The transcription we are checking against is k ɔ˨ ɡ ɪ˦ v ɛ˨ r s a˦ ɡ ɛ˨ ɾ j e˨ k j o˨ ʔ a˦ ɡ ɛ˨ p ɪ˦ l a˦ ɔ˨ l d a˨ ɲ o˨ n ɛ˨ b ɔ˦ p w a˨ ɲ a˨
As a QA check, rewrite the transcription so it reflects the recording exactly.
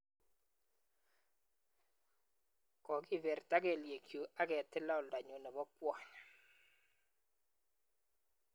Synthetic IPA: k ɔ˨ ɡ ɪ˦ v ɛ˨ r t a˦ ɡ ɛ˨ l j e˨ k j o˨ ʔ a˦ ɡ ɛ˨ t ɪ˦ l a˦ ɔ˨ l d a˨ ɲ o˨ n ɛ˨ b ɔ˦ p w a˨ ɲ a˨